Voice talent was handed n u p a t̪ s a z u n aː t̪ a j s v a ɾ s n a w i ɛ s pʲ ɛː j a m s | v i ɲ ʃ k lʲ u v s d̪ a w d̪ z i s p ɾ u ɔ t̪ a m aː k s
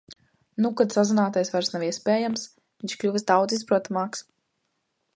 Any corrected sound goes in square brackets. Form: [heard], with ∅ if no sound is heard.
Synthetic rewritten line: n u [k] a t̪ s a z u n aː t̪ a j s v a ɾ s n a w i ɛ s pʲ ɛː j a m s | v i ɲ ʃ k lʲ u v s d̪ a w d̪ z i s p ɾ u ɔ t̪ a m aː k s